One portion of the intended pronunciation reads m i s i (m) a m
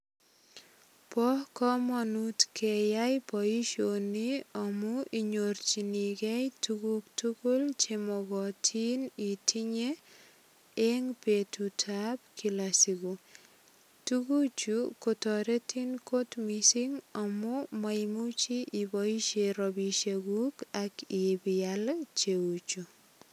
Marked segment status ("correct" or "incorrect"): incorrect